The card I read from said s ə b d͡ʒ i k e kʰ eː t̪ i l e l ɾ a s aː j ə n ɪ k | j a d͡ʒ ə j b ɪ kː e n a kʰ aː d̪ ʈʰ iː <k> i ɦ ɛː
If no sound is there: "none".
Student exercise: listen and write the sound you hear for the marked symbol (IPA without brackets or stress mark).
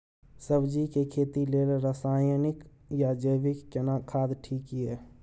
k